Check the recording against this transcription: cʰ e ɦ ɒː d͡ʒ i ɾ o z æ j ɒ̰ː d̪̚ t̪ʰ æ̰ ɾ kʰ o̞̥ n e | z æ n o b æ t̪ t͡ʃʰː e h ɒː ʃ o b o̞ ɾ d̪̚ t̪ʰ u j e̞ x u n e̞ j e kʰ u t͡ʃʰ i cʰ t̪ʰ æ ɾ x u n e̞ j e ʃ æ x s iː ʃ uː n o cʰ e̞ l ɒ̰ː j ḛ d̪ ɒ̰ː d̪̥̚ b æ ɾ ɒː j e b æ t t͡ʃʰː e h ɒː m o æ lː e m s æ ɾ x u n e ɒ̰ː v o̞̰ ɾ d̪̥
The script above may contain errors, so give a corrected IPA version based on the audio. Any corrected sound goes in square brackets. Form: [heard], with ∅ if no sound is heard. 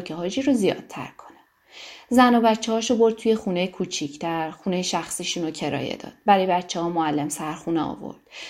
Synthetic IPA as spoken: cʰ e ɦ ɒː d͡ʒ i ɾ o z [i] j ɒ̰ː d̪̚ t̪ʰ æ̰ ɾ kʰ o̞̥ n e | z æ n o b æ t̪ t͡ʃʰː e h ɒː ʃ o b o̞ ɾ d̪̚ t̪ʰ u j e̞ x u n e̞ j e kʰ u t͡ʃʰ i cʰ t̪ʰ æ ɾ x u n e̞ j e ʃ æ x s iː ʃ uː n o cʰ e̞ [ɾ] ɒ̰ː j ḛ d̪ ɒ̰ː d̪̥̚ b æ ɾ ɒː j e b æ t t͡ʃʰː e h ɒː m o æ lː e m s æ ɾ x u n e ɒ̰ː v o̞̰ ɾ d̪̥